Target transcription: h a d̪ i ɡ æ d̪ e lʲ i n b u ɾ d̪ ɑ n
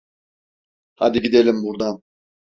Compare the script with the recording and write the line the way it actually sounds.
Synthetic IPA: h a d̪ i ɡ i d̪ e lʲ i m b u ɾ d̪ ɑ n

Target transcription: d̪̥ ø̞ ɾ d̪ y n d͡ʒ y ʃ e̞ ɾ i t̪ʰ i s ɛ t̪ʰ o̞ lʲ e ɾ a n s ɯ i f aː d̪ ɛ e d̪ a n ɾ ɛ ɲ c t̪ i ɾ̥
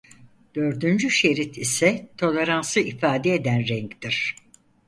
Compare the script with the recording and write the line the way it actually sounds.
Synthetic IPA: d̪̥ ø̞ ɾ d̪ y n d͡ʒ y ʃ e̞ ɾ i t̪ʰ i s ɛ t̪ʰ o̞ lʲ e ɾ a n s ɯ i f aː d̪ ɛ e d̪ æ n ɾ ɛ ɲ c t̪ i ɾ̥

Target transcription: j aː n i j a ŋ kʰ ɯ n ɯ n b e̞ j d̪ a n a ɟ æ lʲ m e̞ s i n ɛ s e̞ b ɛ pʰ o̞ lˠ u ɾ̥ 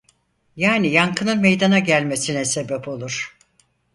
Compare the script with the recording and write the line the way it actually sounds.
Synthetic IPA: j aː n i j a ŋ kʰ ɯ n ɯ n m e̞ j d̪ a n a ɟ æ lʲ m e̞ s i n ɛ s e̞ b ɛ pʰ o̞ lˠ u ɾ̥

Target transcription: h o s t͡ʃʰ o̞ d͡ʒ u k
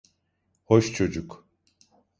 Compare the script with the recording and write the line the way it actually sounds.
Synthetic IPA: h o ʃ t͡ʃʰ o̞ d͡ʒ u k

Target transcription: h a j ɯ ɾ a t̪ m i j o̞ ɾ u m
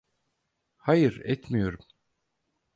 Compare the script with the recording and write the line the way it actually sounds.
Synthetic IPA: h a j ɯ ɾ ɛ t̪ m i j o̞ ɾ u m

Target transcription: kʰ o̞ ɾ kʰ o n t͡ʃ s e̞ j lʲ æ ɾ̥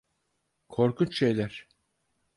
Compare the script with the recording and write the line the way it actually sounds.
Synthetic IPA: kʰ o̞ ɾ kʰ u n t͡ʃ ʃ e̞ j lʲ æ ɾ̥

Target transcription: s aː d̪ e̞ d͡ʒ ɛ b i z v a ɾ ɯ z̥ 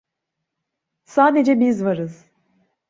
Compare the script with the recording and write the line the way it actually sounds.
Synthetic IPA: s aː d̪ e̞ d͡ʒ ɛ b i z v a ɾ ɯ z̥

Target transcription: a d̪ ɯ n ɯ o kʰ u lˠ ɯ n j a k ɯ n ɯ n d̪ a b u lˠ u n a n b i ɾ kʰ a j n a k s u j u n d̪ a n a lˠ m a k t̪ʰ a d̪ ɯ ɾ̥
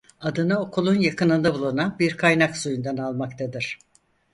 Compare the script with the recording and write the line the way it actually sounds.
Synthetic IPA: a d̪ ɯ n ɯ o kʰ u lˠ u n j a k ɯ n ɯ n d̪ a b u lˠ u n a n b i ɾ kʰ a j n a k s u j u n d̪ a n a lˠ m a k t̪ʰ a d̪ ɯ ɾ̥

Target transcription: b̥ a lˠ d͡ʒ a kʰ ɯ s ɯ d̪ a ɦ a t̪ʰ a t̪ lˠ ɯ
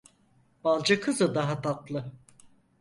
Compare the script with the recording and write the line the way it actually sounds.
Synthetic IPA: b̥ a lˠ d͡ʒ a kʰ ɯ z ɯ d̪ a ɦ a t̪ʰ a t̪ lˠ ɯ

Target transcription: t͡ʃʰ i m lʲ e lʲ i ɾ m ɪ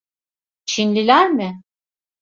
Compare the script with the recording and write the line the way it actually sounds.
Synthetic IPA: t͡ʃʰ i n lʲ i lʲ æ ɾ m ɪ

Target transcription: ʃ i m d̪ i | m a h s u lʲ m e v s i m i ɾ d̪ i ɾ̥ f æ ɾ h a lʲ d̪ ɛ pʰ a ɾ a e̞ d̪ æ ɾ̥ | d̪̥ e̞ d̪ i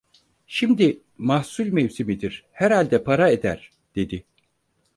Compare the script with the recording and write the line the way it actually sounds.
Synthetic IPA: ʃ i m d̪ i | m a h s u lʲ m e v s i m i d̪ i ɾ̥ h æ ɾ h a lʲ d̪ ɛ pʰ a ɾ a e̞ d̪ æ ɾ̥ | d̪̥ e̞ d̪ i

